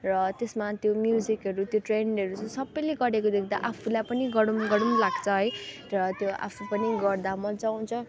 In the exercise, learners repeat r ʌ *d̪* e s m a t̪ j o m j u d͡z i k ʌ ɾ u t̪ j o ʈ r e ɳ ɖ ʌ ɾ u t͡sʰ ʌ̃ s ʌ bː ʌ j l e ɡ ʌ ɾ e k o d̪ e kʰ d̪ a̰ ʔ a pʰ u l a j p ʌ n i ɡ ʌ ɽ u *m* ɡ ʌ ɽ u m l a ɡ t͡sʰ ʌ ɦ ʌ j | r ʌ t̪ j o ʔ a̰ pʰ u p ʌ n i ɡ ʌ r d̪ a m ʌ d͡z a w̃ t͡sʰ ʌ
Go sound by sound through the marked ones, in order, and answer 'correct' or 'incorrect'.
incorrect: t̪, correct

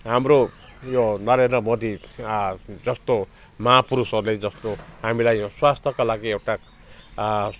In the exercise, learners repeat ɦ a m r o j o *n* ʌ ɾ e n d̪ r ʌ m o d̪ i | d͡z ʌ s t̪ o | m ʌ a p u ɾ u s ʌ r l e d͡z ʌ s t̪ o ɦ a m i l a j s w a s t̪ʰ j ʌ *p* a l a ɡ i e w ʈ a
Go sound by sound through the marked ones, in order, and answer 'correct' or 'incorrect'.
correct, incorrect: k

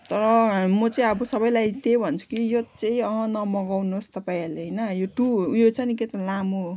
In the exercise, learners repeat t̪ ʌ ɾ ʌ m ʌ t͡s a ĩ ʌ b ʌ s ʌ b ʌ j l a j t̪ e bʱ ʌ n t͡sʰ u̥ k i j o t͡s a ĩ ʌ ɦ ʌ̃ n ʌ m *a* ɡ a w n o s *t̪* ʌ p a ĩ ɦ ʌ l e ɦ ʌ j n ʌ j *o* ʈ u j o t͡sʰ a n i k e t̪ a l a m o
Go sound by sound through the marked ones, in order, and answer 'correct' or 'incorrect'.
incorrect: ʌ, correct, correct

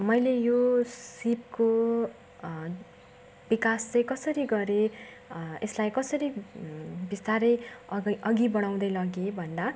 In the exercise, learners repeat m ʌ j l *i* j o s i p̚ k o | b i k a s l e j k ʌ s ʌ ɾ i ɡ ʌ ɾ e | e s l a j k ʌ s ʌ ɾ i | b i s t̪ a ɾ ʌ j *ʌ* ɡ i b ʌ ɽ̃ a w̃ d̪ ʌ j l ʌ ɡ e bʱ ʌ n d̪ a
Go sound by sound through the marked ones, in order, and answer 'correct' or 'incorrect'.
incorrect: e, correct

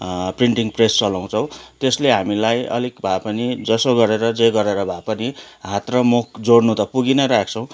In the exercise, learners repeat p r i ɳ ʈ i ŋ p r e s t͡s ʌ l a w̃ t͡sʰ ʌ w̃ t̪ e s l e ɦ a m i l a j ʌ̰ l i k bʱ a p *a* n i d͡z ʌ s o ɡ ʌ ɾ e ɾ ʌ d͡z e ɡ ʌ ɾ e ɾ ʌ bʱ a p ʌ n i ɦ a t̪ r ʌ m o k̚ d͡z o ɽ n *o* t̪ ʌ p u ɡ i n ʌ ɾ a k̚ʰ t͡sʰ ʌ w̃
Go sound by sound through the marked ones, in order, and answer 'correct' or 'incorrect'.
incorrect: ʌ, incorrect: u

